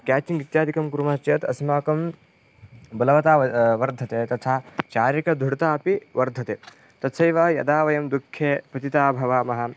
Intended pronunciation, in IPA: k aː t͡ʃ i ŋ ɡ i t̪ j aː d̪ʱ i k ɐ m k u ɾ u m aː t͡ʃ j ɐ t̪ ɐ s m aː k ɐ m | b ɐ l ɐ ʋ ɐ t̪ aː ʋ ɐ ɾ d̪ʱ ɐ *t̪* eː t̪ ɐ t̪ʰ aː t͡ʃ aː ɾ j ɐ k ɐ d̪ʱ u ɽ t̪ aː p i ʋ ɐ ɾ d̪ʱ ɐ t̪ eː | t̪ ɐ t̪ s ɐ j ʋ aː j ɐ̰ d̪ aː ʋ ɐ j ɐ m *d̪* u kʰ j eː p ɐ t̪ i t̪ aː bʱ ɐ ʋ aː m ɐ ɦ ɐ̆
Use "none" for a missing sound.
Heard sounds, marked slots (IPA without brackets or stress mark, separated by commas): t̪, d̪